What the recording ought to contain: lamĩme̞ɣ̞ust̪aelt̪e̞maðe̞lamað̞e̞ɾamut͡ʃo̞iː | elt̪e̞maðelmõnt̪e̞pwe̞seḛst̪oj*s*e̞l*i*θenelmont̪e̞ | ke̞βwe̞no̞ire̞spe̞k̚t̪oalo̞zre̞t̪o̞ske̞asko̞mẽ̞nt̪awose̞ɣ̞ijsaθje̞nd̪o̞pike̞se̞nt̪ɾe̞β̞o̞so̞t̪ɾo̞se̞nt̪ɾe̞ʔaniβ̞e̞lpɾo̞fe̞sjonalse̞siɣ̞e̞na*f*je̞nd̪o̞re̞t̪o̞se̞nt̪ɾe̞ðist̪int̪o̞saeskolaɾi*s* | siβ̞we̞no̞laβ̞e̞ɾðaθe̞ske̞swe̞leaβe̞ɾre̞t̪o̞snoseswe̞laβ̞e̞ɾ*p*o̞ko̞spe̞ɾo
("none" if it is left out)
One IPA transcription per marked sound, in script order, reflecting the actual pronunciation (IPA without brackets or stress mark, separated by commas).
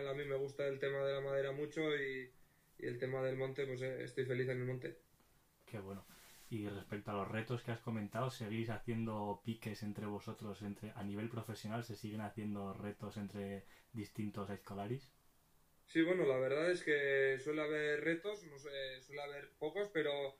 f, i, θ, s, p